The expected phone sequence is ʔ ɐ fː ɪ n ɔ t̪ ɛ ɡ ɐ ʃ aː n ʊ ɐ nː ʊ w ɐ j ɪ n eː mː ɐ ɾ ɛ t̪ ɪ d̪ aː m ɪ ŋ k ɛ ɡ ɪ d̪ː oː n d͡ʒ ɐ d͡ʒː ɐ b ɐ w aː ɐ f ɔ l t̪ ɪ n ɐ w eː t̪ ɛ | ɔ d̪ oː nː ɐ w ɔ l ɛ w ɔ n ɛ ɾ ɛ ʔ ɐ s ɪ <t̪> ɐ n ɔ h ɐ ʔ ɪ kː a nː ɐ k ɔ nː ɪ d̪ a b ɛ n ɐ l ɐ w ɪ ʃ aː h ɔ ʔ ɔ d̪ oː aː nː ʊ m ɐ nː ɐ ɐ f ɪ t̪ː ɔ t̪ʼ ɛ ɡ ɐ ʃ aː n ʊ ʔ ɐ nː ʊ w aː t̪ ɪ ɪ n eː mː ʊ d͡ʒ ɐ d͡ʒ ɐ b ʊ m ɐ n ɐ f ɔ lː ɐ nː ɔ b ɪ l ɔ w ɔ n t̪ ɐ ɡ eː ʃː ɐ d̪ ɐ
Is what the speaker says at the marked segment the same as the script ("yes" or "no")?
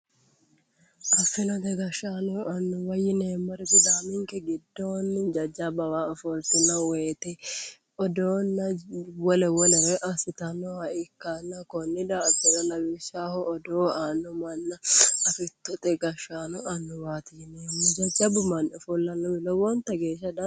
yes